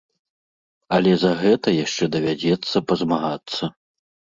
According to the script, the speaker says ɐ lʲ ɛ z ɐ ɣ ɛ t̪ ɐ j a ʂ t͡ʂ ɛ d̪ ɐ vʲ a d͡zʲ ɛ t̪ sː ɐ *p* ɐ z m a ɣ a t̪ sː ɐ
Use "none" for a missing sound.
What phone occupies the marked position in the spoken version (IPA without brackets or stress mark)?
p